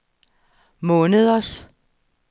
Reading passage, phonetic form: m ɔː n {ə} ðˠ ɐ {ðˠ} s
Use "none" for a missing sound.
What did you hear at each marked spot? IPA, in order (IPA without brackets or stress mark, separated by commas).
ə, none